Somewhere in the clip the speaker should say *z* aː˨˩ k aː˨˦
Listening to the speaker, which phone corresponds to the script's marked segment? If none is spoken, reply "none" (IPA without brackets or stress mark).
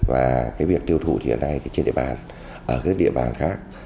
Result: v